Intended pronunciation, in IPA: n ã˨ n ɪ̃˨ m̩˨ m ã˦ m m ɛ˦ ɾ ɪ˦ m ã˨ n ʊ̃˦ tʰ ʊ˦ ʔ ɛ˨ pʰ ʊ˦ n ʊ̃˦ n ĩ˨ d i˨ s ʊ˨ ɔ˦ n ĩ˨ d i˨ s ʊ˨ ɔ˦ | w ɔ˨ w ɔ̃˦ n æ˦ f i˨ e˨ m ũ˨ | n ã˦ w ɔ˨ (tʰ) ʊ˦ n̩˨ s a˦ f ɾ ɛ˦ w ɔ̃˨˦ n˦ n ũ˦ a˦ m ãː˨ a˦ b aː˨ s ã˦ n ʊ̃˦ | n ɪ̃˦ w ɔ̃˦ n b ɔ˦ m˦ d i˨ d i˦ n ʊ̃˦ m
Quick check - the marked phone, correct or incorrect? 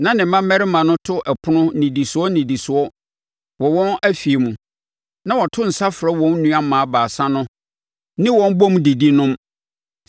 correct